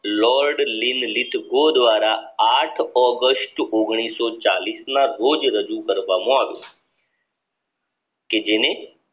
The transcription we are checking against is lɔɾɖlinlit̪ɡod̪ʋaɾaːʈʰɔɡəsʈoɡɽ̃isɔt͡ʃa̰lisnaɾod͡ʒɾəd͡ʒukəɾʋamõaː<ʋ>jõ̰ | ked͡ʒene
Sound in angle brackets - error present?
no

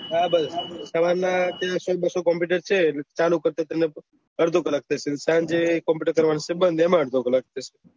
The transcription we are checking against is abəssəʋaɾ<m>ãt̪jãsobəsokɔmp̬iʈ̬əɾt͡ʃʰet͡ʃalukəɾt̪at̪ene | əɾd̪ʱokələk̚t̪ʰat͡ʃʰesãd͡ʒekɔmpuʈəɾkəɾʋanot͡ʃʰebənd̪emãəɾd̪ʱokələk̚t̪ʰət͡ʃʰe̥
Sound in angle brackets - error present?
yes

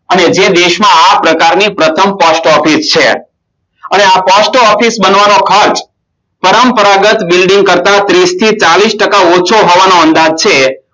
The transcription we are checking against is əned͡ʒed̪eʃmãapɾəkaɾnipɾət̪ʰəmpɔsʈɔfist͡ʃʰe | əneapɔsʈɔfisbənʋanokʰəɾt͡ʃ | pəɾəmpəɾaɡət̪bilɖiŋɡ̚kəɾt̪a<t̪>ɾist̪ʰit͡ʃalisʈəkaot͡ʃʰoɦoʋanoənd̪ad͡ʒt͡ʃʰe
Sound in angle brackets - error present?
no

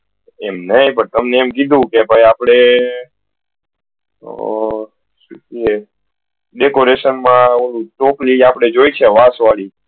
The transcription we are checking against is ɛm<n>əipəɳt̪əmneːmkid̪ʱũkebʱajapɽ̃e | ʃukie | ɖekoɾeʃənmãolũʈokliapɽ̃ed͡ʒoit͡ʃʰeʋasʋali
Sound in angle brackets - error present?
no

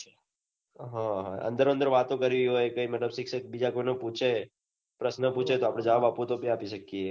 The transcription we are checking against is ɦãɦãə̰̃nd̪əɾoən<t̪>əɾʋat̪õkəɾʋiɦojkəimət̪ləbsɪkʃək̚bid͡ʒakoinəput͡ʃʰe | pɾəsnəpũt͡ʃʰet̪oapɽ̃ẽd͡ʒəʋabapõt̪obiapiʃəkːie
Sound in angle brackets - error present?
yes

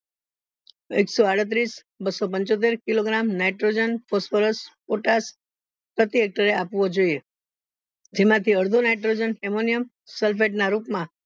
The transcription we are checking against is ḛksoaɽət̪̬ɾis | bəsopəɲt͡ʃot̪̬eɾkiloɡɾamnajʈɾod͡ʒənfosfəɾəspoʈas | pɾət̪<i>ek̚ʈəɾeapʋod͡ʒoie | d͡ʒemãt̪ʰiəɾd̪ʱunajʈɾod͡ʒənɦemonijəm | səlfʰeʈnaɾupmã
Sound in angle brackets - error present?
no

